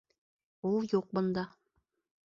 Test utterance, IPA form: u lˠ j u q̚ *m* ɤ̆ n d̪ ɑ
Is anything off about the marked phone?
yes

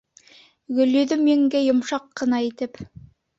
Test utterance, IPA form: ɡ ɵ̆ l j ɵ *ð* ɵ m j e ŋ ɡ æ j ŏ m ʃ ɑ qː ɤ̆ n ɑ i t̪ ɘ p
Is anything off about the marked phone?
no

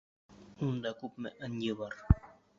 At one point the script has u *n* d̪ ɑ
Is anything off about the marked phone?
no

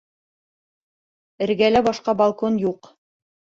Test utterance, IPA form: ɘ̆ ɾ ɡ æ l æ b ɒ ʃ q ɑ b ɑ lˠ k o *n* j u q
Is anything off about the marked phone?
no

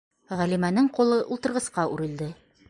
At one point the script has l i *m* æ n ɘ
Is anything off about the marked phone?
no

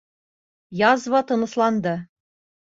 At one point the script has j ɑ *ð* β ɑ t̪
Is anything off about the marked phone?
yes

